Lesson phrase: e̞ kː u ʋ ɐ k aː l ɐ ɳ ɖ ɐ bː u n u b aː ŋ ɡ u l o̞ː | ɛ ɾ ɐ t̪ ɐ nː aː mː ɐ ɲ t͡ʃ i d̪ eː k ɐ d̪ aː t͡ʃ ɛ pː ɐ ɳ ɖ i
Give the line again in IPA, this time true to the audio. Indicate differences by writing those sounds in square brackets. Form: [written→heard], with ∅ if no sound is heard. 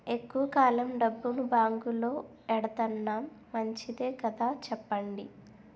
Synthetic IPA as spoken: e̞ kː u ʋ ɐ k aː l ɐ [ɳ→m] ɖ ɐ bː u n u b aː ŋ ɡ u l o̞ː | ɛ [ɾ→ɽ] ɐ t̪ ɐ nː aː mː ɐ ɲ t͡ʃ i d̪ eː k ɐ d̪ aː t͡ʃ ɛ pː ɐ ɳ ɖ i